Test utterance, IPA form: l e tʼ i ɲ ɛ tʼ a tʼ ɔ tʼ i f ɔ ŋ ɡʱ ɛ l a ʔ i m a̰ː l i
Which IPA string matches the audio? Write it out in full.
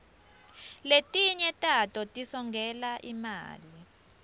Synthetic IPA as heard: l e tʼ i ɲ ɛ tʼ a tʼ ɔ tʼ i s ɔ ŋ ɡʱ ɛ l a ʔ i m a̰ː l i

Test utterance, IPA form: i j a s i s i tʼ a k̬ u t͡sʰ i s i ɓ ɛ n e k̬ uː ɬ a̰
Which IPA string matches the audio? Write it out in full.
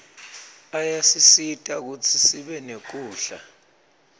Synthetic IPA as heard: a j a s i s i tʼ a k̬ u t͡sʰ i s i ɓ ɛ n e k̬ uː ɬ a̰

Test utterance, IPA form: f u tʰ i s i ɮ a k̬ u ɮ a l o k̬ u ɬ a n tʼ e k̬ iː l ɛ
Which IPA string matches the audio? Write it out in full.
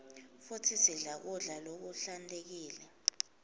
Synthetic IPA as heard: f u tʰ i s i ɮ a k̬ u ɮ a l o k̬ u ɬ a n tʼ e k̬ iː l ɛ

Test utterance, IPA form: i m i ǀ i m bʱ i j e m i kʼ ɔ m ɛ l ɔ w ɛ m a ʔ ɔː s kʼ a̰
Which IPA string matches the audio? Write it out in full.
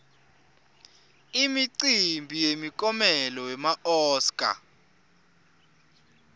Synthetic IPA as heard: i m i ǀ i m bʱ i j e m i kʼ ɔ m ɛ l ɔ w ɛ m a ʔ ɔː s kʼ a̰

